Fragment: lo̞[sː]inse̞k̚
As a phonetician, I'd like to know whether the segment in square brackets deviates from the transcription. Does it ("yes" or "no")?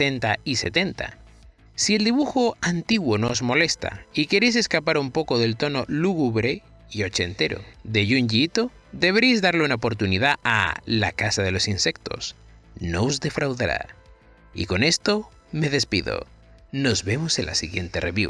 yes